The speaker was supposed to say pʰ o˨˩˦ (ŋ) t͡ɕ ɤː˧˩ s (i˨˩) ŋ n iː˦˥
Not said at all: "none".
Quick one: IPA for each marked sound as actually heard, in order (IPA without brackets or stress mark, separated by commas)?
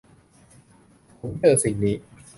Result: m, i˨˩